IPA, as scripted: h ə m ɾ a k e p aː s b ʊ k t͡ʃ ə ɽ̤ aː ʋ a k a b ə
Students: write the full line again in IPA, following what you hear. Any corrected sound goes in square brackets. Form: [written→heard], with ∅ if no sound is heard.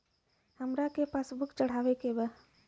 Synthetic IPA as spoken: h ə m ɾ a k e p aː s b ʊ k t͡ʃ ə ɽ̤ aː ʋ [a→e] k [a→e] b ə